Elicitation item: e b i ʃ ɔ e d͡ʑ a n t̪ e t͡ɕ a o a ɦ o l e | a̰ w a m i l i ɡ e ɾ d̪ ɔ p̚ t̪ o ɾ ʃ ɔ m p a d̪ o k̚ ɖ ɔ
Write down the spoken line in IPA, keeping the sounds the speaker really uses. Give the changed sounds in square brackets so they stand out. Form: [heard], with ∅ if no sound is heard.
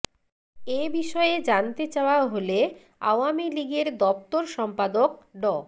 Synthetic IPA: e b i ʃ ɔ e d͡ʑ a n t̪ e t͡ɕ a o a ɦ o l e | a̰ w a m i l i ɡ e ɾ d̪ ɔ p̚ t̪ o ɾ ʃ ɔ m p a d̪ o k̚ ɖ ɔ